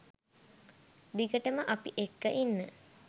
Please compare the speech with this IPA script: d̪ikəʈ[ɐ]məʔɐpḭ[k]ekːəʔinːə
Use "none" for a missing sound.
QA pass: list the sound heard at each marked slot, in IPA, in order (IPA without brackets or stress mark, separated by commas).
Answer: ə, ʔ